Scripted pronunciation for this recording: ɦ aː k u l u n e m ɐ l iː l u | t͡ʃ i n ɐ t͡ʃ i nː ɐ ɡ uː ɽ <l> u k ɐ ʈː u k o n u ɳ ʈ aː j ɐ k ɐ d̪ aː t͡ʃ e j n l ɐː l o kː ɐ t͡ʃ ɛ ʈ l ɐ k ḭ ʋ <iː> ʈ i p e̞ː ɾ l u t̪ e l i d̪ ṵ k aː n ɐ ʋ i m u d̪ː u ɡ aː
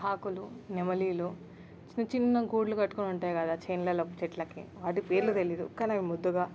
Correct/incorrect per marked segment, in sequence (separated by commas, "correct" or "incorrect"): correct, incorrect